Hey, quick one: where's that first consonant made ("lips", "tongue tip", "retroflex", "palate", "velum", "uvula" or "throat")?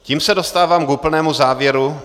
palate